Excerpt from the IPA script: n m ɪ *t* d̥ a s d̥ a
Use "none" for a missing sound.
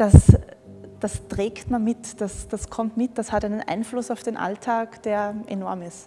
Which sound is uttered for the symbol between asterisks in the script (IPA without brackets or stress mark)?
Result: t